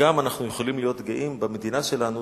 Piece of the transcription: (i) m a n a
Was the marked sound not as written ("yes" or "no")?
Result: yes